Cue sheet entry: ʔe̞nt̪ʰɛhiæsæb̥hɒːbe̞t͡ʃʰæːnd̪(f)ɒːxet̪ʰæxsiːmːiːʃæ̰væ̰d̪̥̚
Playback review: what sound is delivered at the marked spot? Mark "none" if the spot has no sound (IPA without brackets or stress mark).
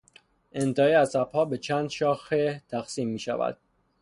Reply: ʃ